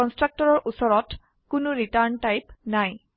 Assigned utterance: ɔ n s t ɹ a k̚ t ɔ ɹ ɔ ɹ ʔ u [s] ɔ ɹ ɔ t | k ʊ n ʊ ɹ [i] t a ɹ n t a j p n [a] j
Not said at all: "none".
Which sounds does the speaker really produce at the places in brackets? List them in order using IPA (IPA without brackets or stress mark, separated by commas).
s, i, a